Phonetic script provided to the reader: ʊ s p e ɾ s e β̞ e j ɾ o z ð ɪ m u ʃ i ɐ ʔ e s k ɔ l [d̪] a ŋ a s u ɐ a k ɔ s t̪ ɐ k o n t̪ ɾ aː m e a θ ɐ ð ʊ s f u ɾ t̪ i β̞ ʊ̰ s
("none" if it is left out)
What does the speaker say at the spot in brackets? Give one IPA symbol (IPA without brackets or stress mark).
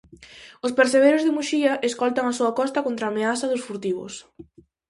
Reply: t̪